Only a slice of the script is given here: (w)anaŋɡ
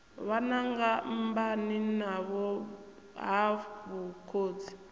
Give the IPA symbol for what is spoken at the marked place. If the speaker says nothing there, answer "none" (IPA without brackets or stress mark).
β